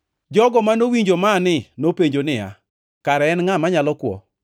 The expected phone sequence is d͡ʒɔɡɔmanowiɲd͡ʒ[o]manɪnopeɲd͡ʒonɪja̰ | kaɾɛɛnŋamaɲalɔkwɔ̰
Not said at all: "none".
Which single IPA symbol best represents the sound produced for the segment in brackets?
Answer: o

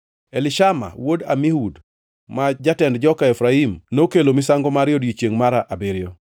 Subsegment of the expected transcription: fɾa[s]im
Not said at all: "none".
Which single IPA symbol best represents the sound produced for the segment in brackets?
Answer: none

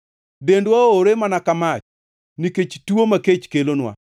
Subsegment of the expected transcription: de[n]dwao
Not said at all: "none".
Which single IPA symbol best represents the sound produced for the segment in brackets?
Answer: n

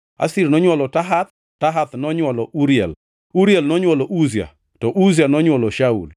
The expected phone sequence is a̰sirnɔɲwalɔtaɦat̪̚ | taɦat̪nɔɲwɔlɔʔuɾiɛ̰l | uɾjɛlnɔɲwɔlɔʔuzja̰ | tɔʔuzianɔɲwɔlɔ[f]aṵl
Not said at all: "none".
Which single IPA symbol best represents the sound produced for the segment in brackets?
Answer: ʃ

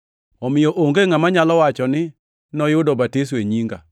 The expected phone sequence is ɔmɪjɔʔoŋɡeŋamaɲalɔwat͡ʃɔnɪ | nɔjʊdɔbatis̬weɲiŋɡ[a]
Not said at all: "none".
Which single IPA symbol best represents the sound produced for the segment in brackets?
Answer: a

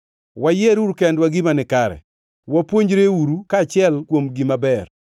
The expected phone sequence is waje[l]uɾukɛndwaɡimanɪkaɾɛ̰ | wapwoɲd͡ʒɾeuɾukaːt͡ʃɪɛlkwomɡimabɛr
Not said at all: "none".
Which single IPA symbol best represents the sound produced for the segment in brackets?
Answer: ɾ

